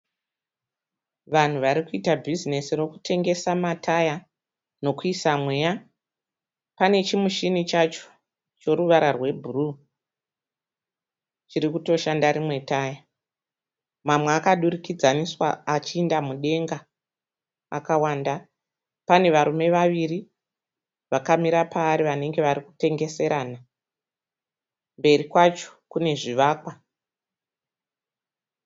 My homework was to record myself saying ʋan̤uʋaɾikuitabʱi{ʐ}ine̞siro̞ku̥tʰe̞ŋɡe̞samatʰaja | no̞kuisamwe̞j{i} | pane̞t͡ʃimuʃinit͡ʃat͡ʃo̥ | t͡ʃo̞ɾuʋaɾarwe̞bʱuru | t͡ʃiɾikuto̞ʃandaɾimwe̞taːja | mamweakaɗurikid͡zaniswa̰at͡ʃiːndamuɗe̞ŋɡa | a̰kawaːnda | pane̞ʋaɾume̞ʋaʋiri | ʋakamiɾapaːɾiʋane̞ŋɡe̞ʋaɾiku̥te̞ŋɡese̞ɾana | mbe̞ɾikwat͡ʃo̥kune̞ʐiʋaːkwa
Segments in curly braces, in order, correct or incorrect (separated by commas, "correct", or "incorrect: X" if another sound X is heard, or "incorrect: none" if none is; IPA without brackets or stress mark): incorrect: z, incorrect: a